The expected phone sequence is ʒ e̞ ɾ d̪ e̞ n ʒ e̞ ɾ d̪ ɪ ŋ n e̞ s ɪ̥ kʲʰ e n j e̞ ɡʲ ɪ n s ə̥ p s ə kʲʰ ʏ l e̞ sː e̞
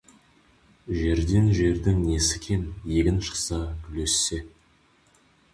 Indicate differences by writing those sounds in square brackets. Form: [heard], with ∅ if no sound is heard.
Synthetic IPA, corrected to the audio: ʒ e̞ ɾ d̪ e̞ n ʒ e̞ ɾ d̪ ɪ ŋ n e̞ s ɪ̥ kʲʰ e n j e̞ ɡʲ ɪ n [ʃ] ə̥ [q] s [ɑ] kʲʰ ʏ l e̞ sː e̞